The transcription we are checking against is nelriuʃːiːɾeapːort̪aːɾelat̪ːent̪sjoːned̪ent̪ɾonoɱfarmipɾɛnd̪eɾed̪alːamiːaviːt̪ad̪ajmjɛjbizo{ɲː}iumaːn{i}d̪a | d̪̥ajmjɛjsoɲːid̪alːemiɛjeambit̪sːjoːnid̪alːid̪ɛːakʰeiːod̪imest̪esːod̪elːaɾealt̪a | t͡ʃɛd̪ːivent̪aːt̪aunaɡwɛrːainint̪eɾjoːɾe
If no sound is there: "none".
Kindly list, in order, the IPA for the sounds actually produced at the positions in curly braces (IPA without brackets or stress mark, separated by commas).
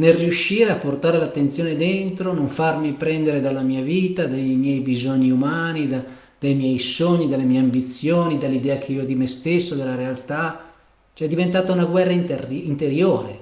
ɲː, i